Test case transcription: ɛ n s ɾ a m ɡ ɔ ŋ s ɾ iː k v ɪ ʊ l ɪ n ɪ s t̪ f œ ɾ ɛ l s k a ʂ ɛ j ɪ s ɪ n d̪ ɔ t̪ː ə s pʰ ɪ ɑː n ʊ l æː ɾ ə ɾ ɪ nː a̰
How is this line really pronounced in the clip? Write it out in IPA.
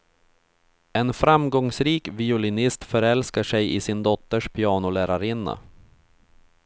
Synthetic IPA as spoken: ɛ n f ɾ a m ɡ ɔ ŋ s ɾ iː k v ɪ ʊ l ɪ n ɪ s t̪ f œ ɾ ɛ l s k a ʂ ɛ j ɪ s ɪ n d̪ ɔ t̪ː ə ʂ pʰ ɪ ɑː n ʊ l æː ɾ a ɾ ɪ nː a̰